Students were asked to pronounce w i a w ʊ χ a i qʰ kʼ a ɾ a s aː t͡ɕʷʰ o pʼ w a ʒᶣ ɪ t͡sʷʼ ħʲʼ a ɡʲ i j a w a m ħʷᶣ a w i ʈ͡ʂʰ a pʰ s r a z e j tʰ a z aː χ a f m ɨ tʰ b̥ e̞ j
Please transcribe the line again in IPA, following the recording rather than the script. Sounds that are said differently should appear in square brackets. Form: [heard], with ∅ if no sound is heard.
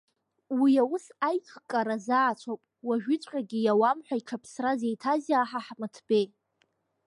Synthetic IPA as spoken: w i a w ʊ [s] a [j] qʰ kʼ a ɾ a [z] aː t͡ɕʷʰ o pʼ w a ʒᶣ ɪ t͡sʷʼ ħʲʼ a ɡʲ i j a w a m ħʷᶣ a [∅] i ʈ͡ʂʰ a pʰ s r a z e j tʰ a z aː [ħ] a [ħ] m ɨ tʰ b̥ e̞ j